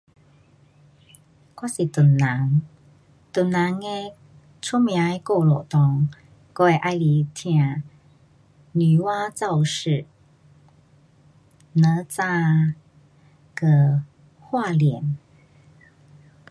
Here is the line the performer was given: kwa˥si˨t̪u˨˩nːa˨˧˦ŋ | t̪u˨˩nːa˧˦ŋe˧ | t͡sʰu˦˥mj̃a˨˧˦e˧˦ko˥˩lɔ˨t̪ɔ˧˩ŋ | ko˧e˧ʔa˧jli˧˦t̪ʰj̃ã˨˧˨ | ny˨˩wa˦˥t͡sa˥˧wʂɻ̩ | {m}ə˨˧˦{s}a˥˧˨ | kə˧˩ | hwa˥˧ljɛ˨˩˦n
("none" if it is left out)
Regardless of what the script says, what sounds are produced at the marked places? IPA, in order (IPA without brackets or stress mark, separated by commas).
n, t͡s